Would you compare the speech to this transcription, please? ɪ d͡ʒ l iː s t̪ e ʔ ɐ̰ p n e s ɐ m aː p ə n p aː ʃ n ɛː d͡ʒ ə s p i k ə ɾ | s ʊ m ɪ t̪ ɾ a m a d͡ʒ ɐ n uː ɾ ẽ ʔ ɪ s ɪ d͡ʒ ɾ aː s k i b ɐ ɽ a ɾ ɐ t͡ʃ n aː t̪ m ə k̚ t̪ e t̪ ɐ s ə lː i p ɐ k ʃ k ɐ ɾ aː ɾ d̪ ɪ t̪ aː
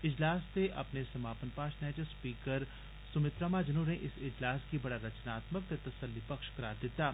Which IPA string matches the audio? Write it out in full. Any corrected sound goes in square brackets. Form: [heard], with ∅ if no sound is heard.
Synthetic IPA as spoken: ɪ d͡ʒ l [aː] s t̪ e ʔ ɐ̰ p n e s ɐ m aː p ə n p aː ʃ n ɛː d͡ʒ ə s p [iː] k ə ɾ | s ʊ m ɪ t̪ ɾ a m a d͡ʒ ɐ n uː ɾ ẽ ʔ ɪ s ɪ d͡ʒ [l] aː s k i b ɐ ɽ a ɾ ɐ t͡ʃ n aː t̪ m ə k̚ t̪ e t̪ ɐ s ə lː i p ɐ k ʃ k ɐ ɾ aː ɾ d̪ ɪ t̪ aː